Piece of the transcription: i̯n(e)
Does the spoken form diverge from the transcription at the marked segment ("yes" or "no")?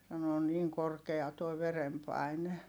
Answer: no